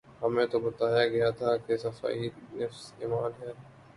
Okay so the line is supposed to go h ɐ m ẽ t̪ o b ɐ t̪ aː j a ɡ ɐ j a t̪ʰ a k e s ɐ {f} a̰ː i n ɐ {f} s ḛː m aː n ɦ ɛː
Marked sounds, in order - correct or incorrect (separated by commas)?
correct, correct